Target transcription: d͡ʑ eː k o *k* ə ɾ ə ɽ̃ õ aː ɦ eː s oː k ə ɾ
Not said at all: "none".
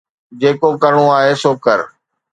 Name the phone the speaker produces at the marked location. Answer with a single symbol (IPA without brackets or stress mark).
k